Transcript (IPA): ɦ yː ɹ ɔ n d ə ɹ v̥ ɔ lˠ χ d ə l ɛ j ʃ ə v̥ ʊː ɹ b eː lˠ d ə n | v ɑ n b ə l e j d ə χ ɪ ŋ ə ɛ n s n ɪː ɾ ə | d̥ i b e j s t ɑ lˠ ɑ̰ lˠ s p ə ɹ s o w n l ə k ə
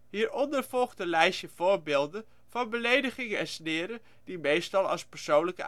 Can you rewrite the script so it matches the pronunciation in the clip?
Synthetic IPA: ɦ iː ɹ ɔ n d ə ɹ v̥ ɔ lˠ χ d ə l ɛ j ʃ ə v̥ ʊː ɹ b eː lˠ d ə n | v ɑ n b ə l e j d ə χ ɪ ŋ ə ɛ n s n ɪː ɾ ə | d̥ i m e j s t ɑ lˠ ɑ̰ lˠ s p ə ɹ s o w n l ə k ə